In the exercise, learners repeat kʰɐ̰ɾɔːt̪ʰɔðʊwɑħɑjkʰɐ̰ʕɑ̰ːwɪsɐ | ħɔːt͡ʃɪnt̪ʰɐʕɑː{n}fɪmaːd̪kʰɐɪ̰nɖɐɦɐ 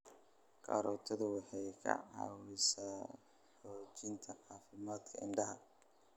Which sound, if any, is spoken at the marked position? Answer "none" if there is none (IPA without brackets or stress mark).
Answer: none